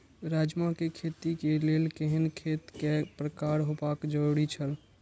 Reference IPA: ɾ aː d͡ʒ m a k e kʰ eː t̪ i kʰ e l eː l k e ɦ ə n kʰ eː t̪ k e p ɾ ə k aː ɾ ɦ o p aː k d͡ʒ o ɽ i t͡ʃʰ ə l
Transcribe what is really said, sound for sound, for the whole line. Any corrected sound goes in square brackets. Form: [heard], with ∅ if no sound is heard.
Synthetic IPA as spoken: ɾ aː d͡ʒ m a k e kʰ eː t̪ i [k] e l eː l k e ɦ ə n kʰ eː t̪ k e p ɾ ə k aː ɾ ɦ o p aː k d͡ʒ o ɽ i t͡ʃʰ ə l